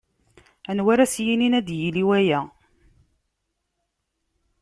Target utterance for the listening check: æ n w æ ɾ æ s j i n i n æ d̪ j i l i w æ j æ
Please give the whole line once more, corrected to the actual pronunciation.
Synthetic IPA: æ n w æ ɾ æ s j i n i n æ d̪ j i l i w æ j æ